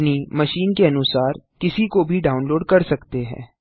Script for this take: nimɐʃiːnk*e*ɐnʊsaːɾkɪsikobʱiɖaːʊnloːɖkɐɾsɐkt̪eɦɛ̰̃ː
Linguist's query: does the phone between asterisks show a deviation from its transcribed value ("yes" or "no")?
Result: no